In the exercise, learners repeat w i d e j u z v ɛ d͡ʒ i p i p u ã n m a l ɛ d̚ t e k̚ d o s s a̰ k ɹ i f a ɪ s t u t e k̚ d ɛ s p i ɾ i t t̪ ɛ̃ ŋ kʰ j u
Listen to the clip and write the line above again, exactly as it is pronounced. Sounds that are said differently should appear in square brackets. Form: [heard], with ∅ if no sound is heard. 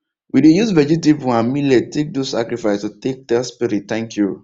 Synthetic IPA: w i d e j u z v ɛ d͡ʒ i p i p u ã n m [i] l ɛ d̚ t e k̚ d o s s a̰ k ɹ i f a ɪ s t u t e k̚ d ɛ s p i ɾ i t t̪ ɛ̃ ŋ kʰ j u

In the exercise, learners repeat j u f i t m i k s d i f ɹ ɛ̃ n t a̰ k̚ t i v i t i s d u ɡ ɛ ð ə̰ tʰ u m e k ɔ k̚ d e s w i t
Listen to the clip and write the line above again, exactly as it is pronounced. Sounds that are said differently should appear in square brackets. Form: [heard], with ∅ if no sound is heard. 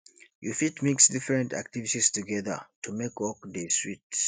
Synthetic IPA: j u f i t m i k s d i f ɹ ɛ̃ n t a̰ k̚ t i v i t i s [t] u ɡ ɛ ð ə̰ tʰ u m e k ɔ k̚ d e s w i t

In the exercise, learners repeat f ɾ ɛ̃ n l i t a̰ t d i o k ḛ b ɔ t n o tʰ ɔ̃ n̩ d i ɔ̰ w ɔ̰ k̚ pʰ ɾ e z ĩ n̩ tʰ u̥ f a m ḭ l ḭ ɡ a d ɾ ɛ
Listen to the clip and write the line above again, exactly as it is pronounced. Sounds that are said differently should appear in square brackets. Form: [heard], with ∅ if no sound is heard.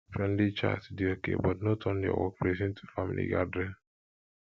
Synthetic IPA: f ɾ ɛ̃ n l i [t͡ʃ] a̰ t d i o k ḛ b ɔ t n o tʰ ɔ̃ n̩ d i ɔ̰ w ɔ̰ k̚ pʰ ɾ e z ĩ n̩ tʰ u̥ f a m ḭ l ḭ ɡ a d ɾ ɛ

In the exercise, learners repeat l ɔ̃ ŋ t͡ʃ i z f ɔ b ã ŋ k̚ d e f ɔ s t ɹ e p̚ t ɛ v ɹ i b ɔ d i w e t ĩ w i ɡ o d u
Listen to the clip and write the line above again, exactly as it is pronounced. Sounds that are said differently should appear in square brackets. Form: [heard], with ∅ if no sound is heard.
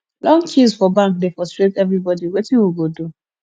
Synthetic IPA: l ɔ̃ ŋ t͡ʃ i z f ɔ b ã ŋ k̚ d e f ɔ s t ɹ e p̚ t ɛ v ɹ i b ɔ d i w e t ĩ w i ɡ o d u

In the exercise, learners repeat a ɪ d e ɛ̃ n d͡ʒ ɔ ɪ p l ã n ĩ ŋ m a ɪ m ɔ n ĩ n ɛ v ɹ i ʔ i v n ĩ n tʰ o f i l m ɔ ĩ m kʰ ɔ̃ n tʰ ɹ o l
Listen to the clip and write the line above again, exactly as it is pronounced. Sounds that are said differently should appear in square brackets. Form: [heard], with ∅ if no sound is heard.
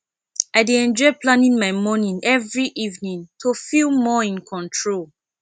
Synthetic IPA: a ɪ d e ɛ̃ n d͡ʒ ɔ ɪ p l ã n ĩ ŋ m a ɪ m ɔ n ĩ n ɛ v ɹ i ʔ i v n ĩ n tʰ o f i l m ɔ ĩ [n] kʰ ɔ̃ n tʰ ɹ o l

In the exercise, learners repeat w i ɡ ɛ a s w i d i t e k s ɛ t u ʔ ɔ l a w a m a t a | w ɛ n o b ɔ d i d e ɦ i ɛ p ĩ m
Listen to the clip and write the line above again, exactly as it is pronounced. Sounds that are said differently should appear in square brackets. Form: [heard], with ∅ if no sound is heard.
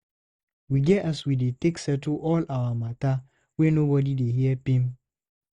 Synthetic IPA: w i ɡ ɛ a s w i d [e] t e k s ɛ t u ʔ ɔ l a w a m a t a | w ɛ n o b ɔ d i d e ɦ i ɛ p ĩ m

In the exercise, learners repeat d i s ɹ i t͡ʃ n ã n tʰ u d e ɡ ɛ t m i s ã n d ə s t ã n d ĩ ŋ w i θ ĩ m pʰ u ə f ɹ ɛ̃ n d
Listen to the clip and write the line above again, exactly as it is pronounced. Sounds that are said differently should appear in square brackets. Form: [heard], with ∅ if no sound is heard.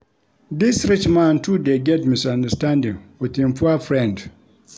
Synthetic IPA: d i s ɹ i t͡ʃ [m] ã n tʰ u d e ɡ ɛ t m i s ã n d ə s t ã n d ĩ ŋ w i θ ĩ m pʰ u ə f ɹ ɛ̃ n d

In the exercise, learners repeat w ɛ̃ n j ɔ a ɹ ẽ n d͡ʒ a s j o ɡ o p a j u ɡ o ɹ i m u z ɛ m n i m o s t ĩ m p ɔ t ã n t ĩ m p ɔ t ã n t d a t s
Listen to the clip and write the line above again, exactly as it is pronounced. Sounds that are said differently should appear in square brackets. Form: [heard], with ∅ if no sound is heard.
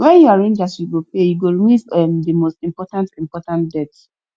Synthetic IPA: w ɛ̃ n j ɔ a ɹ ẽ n d͡ʒ a s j [u] ɡ o p [e] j u ɡ o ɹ i m u [v] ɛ m [d] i m o s t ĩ m p ɔ t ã n t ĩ m p ɔ t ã n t d [ɛ] t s

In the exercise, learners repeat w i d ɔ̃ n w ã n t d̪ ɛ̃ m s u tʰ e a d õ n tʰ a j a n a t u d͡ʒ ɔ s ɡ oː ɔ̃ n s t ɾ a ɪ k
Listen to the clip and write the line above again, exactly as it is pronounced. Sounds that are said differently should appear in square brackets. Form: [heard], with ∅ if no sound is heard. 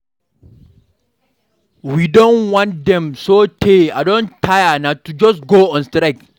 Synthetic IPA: w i d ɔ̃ n w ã n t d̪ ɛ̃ m s [o] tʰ e a d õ n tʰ a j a n a t u d͡ʒ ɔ s ɡ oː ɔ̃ n s t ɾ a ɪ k

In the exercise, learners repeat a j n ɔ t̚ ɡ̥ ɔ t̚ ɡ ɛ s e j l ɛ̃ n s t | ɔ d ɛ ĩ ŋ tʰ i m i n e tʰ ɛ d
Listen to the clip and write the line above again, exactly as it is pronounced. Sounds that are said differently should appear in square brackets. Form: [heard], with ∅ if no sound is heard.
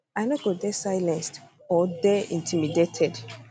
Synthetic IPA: a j n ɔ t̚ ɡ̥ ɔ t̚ [d] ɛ s [a] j l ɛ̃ n s t | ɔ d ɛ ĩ [n] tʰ i m i [d] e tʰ ɛ d

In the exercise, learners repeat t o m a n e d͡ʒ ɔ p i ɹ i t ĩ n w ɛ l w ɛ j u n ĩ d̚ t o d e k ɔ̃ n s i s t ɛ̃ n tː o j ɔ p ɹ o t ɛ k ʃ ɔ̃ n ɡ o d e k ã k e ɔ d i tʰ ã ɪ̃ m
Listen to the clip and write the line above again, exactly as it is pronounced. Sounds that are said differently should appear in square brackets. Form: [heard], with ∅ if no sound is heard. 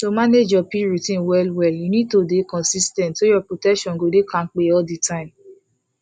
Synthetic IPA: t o m a n e d͡ʒ ɔ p i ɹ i t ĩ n w ɛ l w ɛ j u n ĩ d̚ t o d e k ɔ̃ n s i s t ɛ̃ n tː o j ɔ p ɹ o t ɛ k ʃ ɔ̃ n ɡ o d e k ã [k͡p] e ɔ d i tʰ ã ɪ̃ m

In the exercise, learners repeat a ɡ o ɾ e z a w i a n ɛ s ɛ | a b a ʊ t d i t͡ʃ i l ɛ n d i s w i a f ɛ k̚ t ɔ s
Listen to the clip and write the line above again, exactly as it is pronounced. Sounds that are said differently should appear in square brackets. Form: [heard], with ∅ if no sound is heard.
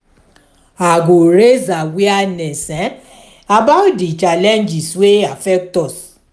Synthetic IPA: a ɡ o ɾ e z a w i a n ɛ s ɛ | a b a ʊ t d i t͡ʃ [a] l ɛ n [d͡ʒ] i s w [e] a f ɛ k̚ t ɔ s

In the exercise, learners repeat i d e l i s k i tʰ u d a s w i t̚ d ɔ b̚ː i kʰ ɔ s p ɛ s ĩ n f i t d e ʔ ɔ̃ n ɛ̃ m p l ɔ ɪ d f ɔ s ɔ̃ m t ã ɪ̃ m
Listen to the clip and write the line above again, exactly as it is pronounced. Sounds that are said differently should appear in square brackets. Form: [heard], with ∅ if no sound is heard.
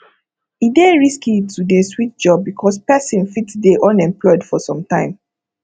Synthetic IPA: i d e [ɹ] i s k i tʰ u d [e] s w i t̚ [d͡ʒ] ɔ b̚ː i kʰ ɔ s p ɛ s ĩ n f i t d e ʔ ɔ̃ n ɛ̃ m p l ɔ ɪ d f ɔ s ɔ̃ m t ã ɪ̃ m

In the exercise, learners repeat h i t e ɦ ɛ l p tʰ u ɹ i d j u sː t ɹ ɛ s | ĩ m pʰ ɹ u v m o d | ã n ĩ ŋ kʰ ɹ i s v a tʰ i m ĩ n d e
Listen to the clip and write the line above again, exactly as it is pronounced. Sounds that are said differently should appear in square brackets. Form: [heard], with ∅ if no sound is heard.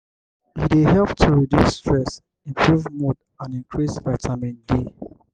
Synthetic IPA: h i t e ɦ ɛ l p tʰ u ɹ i d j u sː t ɹ ɛ s | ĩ m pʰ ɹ u v m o d | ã n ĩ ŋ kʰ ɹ i s v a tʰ [a] m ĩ n d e

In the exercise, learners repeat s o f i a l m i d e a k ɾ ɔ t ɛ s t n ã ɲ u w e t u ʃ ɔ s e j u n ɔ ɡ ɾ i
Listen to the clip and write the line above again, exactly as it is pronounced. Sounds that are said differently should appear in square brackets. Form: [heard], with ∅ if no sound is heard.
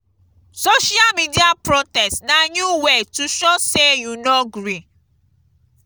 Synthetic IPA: s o [ʃ] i a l m i d [i] a [p] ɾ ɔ t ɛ s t n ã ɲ u w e t u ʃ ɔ s e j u n ɔ ɡ ɾ i

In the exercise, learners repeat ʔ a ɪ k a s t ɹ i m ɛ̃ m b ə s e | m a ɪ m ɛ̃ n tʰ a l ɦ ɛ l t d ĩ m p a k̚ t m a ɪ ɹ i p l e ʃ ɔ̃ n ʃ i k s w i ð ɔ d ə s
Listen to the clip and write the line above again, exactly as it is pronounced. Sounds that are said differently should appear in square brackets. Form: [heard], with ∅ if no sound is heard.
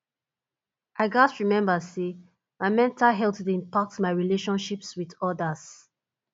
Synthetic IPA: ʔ a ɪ [ɡ] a s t ɹ i m ɛ̃ m b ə s e | m a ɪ m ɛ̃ n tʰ a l ɦ ɛ l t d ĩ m p a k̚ t m a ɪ ɹ i [∅] l e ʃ ɔ̃ n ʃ i [p] s w i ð ɔ d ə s

